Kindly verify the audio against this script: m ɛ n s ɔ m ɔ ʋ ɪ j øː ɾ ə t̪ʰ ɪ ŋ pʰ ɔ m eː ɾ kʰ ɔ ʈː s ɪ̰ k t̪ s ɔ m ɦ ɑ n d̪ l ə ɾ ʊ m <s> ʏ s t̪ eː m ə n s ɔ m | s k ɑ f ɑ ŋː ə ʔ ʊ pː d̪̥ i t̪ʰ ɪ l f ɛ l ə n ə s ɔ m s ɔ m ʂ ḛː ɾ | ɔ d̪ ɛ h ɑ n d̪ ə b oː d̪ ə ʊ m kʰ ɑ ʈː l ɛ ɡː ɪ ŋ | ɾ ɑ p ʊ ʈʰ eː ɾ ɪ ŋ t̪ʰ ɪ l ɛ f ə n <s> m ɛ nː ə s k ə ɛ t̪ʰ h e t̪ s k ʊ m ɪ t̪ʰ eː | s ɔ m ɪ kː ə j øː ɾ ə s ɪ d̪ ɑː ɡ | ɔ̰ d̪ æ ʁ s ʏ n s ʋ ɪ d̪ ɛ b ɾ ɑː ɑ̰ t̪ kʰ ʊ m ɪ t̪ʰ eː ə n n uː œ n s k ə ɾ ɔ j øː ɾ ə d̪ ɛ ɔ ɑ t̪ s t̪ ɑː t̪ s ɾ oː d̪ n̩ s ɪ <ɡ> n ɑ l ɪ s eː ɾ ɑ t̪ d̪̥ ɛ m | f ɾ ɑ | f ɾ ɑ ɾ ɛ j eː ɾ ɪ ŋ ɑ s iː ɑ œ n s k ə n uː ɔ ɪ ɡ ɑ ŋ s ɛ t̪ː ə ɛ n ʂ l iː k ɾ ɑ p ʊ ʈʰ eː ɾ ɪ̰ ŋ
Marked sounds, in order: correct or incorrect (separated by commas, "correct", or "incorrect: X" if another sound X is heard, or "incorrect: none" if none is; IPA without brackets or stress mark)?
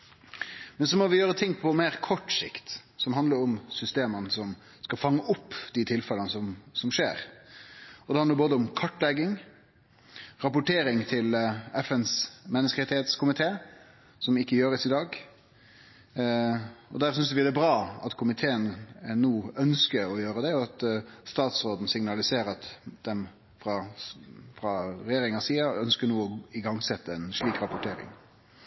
correct, correct, incorrect: ŋ